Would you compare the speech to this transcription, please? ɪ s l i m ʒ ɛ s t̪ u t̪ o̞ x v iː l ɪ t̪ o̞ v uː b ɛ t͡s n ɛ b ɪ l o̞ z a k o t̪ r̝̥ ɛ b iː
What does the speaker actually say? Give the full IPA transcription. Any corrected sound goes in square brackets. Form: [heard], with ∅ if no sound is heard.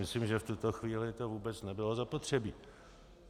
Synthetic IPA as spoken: ɪ s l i m ʒ ɛ [f] t̪ u t̪ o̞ x v iː l ɪ t̪ o̞ v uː b ɛ t͡s n ɛ b ɪ l o̞ z a [p] o t̪ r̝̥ ɛ b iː